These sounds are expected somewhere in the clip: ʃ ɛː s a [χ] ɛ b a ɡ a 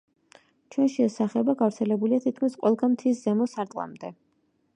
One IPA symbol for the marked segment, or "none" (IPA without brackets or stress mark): χ